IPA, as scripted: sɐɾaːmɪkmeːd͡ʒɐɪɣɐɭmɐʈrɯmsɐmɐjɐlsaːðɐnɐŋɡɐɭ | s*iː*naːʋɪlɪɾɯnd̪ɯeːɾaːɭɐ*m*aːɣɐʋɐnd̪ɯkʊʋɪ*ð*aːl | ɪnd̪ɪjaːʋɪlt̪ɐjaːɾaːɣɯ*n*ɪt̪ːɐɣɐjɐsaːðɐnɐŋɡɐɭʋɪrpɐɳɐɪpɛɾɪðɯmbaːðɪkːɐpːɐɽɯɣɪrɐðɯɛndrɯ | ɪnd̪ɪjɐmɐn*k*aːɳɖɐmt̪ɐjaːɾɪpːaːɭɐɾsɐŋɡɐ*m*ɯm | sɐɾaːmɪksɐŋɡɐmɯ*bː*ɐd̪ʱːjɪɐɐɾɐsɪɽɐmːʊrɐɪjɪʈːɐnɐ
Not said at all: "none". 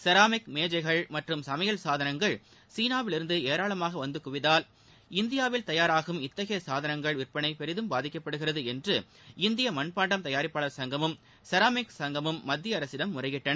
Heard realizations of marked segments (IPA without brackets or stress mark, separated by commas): iː, m, ð, m, p, m, mː